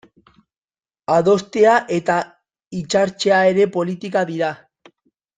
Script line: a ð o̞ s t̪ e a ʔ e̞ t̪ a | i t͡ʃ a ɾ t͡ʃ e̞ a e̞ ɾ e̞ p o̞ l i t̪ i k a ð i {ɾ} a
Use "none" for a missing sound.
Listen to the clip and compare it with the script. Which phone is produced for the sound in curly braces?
ɾ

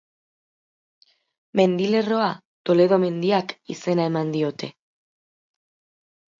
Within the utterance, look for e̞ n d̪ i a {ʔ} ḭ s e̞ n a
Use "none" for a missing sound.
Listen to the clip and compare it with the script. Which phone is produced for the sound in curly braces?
k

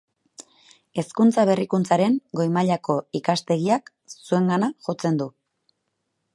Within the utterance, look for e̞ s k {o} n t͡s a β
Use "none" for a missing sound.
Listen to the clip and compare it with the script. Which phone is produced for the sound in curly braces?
u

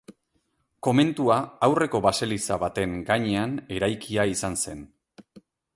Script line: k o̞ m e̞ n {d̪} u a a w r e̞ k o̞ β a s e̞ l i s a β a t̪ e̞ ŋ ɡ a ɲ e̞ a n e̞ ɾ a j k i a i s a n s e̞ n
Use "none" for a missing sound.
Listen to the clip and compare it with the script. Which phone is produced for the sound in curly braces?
t̪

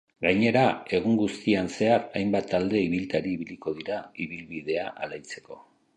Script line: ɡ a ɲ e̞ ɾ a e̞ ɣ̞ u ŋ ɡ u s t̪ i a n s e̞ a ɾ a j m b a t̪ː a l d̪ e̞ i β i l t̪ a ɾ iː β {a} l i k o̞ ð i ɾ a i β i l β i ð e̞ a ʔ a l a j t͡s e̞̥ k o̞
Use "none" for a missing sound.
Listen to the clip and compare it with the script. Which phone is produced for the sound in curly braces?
i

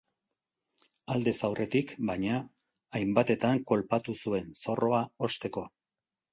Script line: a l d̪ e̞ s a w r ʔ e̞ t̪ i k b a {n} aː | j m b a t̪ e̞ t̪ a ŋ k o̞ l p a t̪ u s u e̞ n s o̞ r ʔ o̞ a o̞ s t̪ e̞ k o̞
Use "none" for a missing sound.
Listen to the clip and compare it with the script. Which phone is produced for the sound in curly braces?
ɲ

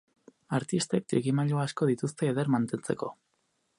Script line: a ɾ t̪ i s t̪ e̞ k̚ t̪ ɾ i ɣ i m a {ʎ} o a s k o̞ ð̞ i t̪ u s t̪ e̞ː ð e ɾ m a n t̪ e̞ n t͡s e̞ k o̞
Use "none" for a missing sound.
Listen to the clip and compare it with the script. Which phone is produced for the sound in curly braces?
ʎ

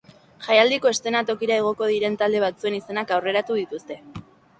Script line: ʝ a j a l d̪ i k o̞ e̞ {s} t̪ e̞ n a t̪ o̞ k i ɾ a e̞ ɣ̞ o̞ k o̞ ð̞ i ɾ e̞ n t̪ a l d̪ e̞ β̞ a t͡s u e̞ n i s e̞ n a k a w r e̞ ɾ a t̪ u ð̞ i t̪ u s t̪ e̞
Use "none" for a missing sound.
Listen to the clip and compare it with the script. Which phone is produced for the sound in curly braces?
s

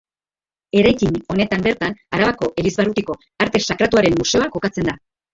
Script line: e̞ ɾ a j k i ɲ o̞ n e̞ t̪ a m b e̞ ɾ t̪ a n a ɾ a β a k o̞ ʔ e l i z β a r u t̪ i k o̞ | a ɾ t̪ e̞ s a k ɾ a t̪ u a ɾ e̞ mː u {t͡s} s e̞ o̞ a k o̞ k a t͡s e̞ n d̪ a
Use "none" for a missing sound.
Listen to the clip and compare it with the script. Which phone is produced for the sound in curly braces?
none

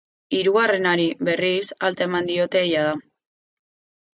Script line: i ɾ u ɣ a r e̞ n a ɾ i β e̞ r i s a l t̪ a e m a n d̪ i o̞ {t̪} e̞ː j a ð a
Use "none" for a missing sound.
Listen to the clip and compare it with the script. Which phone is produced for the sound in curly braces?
t̪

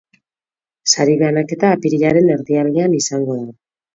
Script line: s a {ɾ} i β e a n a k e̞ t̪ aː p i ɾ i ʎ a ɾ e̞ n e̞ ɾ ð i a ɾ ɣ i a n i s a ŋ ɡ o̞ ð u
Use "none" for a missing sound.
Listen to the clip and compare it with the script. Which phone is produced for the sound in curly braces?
ɾ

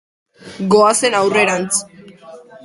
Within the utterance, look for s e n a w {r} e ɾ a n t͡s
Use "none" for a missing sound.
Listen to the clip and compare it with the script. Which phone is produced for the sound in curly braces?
r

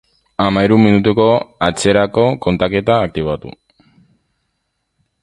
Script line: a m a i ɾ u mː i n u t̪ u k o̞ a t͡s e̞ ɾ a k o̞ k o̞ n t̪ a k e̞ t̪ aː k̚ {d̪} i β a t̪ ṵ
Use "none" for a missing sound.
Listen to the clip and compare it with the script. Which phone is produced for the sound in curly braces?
t̪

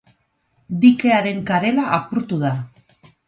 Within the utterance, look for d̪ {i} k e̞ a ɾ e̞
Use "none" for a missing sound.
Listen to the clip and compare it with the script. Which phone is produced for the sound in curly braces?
i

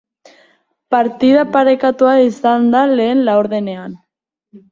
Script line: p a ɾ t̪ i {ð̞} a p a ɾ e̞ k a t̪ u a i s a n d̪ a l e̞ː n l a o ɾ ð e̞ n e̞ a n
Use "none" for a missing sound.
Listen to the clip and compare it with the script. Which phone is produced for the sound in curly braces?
ð̞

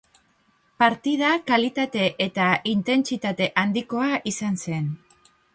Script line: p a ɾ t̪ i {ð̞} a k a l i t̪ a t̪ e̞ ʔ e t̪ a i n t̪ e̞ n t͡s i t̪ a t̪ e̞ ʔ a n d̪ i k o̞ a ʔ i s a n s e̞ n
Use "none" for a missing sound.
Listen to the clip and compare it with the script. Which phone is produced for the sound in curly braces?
ð̞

